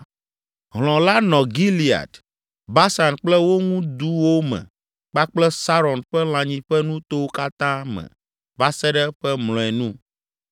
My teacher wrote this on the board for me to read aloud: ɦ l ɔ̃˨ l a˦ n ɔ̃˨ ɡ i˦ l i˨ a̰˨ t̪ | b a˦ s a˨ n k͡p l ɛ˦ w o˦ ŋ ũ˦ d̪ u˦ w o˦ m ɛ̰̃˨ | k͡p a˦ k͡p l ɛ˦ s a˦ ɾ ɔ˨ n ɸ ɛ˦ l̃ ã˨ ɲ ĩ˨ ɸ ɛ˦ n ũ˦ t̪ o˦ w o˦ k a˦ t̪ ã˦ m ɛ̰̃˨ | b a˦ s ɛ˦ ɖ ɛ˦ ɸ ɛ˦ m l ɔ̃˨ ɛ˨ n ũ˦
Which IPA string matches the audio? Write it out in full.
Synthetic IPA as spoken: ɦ l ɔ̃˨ l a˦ n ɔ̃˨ ɡ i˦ l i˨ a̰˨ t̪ | b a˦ s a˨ n k͡p l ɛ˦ w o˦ ŋ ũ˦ d̪ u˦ w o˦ m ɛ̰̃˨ | k͡p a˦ k͡p l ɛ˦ s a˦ ɾ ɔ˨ n ɸ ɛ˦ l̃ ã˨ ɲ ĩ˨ ɸ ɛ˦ n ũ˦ t̪ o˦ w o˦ k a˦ t̪ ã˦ m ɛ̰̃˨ | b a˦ s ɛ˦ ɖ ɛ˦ ɸ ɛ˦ m l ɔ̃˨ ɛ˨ n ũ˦